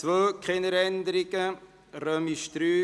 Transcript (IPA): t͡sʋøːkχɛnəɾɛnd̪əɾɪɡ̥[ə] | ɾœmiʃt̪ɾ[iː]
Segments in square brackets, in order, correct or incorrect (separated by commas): correct, incorrect